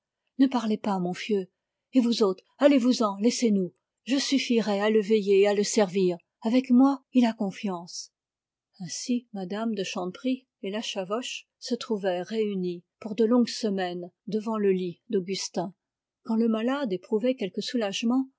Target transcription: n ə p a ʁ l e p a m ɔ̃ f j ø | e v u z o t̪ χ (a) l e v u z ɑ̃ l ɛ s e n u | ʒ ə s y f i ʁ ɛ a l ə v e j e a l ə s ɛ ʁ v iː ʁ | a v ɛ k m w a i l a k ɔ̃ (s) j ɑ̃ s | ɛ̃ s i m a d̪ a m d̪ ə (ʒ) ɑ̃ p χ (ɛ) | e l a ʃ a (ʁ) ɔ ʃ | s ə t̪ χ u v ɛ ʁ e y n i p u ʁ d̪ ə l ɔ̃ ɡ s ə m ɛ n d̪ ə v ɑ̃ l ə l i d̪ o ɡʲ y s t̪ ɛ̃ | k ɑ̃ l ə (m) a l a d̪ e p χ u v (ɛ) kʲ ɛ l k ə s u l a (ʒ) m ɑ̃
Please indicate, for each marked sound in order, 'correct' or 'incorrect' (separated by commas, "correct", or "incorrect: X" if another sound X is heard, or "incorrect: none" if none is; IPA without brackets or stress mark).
correct, incorrect: f, incorrect: ʃ, incorrect: i, incorrect: v, correct, correct, correct